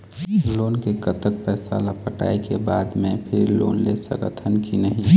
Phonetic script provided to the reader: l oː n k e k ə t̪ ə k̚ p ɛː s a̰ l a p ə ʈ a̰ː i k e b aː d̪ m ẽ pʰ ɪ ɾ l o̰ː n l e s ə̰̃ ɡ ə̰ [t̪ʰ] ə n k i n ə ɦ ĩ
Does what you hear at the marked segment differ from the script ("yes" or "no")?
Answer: no